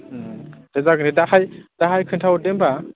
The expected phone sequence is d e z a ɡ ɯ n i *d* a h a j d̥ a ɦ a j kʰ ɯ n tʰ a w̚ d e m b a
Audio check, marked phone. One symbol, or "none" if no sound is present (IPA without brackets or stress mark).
d